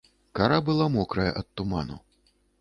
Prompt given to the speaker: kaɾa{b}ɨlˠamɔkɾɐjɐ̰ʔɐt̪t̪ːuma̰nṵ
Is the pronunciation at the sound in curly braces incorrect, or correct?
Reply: correct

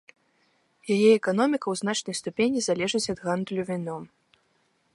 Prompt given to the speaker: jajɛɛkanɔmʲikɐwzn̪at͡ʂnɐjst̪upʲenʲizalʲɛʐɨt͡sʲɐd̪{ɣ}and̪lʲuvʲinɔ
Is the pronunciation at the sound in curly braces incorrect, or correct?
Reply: correct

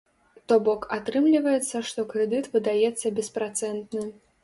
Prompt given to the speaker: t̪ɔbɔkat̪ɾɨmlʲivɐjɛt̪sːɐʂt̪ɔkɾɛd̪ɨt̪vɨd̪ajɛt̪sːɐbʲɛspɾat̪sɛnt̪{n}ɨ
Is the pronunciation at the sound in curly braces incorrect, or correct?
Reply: correct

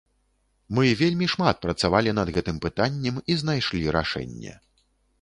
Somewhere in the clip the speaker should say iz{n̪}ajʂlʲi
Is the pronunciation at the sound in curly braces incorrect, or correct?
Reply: correct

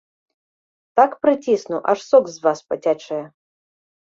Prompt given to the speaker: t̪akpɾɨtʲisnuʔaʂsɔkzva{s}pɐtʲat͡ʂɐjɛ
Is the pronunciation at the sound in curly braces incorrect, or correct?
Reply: correct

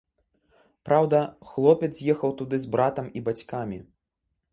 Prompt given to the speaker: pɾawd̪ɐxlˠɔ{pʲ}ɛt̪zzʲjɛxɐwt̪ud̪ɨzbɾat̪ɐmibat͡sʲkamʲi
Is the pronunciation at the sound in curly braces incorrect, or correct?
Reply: correct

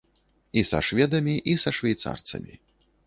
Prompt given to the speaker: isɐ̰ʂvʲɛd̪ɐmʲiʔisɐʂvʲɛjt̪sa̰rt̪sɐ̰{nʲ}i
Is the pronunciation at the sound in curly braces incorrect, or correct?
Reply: incorrect: mʲ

